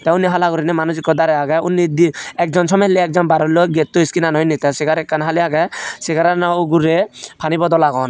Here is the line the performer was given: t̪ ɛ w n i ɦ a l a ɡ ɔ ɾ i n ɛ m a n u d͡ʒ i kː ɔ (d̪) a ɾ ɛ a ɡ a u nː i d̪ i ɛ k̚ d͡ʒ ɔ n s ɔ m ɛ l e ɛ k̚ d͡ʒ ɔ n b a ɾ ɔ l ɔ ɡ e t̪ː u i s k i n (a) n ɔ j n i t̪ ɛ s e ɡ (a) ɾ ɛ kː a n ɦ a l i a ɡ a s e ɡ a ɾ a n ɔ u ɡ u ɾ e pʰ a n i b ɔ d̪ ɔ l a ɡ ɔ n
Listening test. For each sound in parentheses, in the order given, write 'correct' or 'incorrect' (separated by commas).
correct, correct, correct